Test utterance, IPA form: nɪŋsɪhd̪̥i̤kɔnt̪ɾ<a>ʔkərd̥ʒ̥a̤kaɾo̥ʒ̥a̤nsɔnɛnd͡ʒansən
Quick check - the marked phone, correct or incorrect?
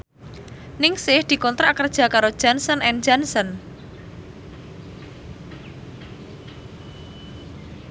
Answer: correct